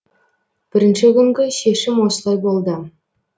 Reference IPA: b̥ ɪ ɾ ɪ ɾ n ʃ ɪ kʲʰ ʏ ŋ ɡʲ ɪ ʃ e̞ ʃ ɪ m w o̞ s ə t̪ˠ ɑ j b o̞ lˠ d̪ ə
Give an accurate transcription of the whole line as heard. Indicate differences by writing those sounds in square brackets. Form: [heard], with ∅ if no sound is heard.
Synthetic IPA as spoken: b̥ ɪ ɾ ɪ [∅] n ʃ ɪ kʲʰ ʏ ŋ ɡʲ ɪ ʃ e̞ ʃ ɪ m w o̞ s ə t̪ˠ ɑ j b o̞ lˠ d̪ ə